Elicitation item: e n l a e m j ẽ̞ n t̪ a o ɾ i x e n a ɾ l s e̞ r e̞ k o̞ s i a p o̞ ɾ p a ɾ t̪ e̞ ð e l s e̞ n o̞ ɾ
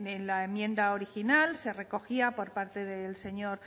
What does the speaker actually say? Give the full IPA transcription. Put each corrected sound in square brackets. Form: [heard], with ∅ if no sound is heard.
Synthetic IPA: e n l a e m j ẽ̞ n [d̪] a o ɾ i x [i] n a [∅] l s e̞ r e̞ k o̞ [x] i a p o̞ ɾ p a ɾ t̪ e̞ ð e l s e̞ [ɲ] o̞ ɾ